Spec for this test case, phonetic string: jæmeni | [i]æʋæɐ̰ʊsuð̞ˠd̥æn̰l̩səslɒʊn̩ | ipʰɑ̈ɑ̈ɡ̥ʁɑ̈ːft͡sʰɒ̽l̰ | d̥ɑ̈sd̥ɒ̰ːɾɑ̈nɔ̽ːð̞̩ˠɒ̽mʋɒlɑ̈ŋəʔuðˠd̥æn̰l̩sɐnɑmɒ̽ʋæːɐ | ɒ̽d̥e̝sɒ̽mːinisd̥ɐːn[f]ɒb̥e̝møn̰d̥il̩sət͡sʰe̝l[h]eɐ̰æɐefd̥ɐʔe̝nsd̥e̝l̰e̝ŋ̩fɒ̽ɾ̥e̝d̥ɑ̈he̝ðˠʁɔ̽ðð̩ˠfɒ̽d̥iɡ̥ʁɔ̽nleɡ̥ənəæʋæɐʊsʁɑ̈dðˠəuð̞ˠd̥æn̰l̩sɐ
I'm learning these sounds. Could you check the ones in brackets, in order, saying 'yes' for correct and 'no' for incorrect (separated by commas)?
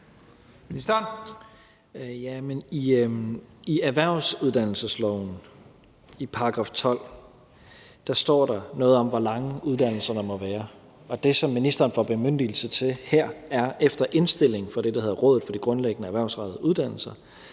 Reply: yes, yes, yes